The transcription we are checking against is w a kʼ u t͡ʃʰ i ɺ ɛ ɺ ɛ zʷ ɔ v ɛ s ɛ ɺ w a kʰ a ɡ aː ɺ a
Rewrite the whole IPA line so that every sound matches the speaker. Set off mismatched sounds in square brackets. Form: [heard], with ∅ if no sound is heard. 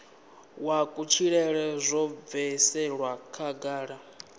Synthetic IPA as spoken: w a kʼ u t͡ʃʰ i ɺ ɛ ɺ ɛ zʷ ɔ v ɛ s ɛ ɺ w a kʰ a ɡ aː ɺ a